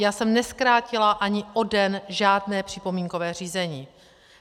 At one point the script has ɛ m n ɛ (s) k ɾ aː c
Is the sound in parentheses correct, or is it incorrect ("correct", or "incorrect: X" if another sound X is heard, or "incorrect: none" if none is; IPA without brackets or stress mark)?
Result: correct